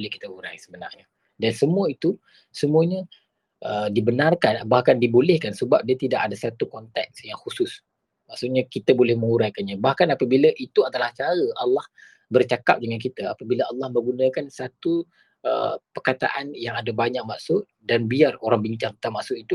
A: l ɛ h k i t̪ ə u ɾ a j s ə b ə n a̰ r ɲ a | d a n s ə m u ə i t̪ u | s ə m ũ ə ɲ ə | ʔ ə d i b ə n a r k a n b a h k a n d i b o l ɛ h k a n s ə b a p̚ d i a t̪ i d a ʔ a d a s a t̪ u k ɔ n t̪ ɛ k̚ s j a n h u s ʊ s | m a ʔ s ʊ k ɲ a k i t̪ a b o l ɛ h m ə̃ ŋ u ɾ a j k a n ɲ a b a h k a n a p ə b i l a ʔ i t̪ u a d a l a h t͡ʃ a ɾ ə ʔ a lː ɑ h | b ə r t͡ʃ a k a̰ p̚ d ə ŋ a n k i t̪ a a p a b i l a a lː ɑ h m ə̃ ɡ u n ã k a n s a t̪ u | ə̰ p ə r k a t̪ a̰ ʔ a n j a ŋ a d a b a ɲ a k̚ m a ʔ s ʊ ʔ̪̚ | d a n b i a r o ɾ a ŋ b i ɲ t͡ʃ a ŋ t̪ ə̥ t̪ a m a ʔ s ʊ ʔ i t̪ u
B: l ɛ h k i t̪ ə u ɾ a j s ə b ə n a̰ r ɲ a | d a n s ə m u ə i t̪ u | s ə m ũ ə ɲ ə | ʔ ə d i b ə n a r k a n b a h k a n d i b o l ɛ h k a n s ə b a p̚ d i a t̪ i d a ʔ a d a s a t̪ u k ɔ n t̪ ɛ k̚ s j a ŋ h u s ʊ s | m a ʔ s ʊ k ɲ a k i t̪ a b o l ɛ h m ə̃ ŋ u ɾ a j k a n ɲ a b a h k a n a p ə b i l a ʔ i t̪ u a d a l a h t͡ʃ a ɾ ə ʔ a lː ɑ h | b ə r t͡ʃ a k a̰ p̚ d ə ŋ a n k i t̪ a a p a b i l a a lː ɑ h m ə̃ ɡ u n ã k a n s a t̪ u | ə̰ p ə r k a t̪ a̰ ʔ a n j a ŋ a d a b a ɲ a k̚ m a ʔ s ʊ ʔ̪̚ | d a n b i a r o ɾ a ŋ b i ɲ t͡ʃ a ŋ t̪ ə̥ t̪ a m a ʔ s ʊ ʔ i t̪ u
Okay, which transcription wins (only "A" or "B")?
B